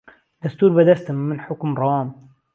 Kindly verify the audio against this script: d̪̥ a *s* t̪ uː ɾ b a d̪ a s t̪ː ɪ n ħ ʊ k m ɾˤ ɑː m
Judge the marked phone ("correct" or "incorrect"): correct